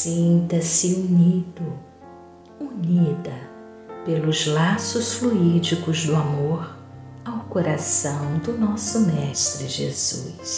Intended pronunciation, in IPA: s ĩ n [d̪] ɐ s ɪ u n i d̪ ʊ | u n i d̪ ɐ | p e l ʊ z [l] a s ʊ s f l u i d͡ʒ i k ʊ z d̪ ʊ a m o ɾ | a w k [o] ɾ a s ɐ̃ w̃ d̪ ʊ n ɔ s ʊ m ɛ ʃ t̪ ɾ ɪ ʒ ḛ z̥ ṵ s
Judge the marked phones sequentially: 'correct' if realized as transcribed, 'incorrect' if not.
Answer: incorrect, correct, correct

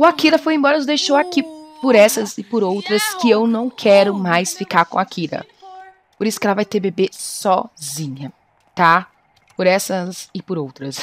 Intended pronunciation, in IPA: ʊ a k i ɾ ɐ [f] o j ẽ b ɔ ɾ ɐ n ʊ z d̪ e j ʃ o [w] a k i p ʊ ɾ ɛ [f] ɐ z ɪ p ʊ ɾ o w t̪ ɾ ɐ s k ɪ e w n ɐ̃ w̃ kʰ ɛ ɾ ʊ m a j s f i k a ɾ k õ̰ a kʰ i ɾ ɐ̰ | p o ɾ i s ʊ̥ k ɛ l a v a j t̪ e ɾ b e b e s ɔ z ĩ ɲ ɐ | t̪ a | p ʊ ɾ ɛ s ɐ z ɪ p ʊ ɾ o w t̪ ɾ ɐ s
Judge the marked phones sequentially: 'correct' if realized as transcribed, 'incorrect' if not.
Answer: correct, correct, incorrect

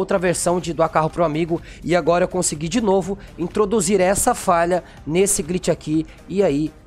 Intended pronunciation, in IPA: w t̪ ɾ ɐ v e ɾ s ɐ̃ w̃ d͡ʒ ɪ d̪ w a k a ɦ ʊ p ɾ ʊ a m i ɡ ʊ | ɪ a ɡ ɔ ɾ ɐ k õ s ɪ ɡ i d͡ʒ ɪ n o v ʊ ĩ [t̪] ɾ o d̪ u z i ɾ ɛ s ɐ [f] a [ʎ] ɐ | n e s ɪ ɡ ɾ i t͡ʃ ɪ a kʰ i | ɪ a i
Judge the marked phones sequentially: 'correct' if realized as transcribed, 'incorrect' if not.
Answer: correct, correct, correct

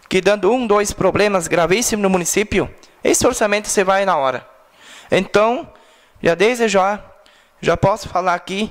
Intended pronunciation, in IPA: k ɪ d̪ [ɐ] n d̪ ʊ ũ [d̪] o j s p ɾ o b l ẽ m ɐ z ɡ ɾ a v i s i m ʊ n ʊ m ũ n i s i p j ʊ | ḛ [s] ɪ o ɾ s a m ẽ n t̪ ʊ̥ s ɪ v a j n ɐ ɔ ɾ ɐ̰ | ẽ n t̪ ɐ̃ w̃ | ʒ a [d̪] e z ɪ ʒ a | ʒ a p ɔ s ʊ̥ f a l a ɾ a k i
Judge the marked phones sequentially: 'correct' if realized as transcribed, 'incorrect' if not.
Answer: incorrect, correct, correct, correct

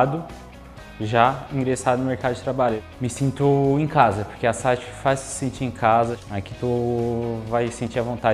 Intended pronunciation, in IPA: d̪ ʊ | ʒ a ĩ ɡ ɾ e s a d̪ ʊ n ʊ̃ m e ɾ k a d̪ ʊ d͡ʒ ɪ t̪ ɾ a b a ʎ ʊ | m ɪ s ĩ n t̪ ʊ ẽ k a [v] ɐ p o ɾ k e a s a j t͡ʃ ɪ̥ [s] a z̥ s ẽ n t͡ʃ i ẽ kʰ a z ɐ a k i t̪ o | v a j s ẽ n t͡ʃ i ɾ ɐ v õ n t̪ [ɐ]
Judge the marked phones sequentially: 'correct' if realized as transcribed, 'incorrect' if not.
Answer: incorrect, incorrect, incorrect

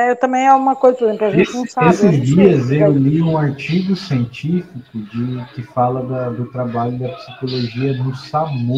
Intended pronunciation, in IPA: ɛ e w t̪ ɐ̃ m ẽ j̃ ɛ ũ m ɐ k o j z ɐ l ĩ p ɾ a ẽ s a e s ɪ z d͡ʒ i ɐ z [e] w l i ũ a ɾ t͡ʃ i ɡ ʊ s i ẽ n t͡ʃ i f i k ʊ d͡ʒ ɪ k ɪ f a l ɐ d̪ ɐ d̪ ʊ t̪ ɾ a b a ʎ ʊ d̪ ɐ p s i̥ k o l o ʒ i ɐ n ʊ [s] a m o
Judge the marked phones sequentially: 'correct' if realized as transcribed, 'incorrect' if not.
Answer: correct, correct

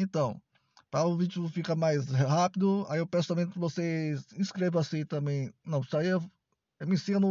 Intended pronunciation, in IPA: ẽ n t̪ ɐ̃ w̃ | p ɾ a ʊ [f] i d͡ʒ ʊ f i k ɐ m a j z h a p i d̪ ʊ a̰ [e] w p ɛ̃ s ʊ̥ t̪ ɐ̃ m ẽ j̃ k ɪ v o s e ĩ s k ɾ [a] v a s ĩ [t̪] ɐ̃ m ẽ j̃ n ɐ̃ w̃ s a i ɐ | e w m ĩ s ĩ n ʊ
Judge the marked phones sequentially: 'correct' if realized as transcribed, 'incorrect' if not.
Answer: incorrect, correct, incorrect, correct

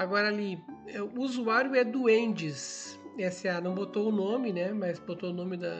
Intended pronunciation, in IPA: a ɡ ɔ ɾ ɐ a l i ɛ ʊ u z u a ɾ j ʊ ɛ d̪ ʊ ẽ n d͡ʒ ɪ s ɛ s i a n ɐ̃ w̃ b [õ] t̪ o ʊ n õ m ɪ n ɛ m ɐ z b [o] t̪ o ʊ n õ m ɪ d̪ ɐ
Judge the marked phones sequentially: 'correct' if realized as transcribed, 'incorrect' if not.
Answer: incorrect, correct

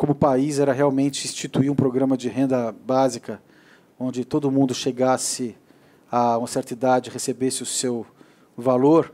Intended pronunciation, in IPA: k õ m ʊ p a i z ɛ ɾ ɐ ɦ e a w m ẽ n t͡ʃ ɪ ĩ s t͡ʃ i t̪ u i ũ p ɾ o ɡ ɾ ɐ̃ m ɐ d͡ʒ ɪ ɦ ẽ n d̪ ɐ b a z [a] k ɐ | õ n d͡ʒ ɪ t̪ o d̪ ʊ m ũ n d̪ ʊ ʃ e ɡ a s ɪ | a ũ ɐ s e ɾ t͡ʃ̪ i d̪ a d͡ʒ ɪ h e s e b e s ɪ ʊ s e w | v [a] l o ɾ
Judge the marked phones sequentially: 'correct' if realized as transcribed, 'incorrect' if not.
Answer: incorrect, correct

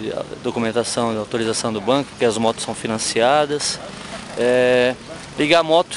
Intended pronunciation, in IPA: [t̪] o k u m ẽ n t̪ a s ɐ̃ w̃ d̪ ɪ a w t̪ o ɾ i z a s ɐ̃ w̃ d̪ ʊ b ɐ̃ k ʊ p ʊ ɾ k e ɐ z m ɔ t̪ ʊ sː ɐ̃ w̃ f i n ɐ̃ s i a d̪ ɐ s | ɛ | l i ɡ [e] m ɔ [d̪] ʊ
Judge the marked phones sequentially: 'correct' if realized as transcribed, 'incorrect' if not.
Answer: incorrect, incorrect, incorrect

